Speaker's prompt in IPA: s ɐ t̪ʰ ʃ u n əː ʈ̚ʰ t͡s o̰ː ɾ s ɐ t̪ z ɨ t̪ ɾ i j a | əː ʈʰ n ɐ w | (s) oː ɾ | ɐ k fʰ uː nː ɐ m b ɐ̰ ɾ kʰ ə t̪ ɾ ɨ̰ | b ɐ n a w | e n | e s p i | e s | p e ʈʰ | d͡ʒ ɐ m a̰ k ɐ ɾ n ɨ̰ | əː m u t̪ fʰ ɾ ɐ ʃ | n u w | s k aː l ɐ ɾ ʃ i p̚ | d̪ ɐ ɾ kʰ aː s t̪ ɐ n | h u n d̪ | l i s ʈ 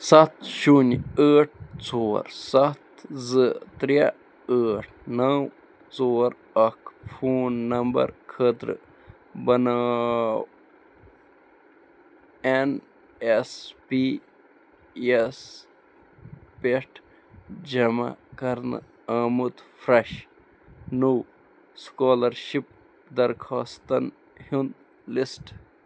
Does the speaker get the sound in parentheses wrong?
yes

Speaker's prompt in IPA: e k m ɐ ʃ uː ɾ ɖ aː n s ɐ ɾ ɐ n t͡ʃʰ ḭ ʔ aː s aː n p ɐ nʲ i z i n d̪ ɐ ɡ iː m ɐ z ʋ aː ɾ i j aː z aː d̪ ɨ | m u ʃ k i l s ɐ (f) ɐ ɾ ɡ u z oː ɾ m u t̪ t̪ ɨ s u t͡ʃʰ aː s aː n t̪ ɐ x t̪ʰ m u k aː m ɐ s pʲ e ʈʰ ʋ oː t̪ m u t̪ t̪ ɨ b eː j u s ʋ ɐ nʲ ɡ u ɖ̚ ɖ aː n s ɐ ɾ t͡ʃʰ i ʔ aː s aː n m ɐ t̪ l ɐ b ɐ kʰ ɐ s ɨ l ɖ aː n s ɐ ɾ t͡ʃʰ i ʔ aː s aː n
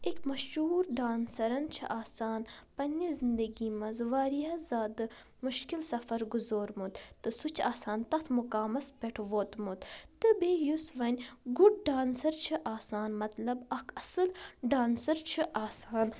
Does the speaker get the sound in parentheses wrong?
no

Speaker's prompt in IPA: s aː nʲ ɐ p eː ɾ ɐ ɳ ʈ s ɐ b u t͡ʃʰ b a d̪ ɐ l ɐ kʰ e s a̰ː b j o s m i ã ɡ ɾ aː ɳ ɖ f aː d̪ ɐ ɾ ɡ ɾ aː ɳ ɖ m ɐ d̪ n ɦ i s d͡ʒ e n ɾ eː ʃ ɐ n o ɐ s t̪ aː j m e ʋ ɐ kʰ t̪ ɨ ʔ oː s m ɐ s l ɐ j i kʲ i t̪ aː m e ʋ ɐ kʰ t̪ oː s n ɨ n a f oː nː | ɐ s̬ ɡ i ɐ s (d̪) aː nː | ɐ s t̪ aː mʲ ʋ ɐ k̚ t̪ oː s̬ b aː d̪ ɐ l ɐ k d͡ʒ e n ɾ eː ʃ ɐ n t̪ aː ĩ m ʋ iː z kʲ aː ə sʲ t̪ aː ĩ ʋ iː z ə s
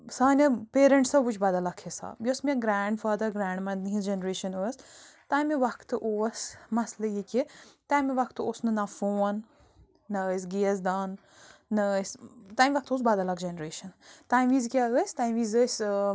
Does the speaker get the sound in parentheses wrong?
no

